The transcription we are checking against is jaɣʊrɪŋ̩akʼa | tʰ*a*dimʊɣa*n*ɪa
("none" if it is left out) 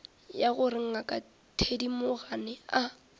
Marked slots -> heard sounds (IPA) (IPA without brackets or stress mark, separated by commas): e, n